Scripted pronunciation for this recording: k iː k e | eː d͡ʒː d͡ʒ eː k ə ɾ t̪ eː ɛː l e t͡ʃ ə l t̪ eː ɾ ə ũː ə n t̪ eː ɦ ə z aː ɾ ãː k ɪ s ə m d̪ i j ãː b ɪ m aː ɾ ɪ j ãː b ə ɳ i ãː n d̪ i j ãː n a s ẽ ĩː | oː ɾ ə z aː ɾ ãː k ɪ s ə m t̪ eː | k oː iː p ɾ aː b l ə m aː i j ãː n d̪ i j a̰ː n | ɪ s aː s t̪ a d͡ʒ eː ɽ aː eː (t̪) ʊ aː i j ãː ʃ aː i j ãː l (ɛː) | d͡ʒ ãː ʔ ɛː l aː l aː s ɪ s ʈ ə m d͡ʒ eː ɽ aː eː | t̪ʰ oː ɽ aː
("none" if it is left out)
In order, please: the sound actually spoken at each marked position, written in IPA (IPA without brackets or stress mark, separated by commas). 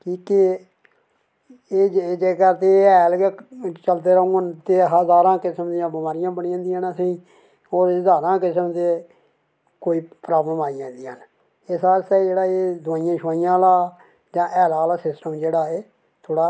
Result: d̪, aː